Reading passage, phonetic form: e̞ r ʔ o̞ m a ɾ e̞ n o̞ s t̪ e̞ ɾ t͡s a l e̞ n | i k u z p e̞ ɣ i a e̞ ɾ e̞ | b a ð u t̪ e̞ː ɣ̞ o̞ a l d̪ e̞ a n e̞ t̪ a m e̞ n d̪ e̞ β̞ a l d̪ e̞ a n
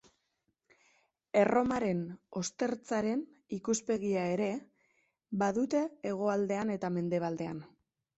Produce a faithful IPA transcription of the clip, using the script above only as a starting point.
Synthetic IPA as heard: e̞ r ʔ o̞ m a ɾ e̞ n o̞ s t̪ e̞ ɾ t͡s a ɾ e̞ n | i k u s p e̞ ɣ i a e̞ ɾ e̞ | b a ð u t̪ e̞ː ɣ̞ o̞ a l d̪ e̞ a n e̞ t̪ a m e̞ n d̪ e̞ β̞ a l d̪ e̞ a n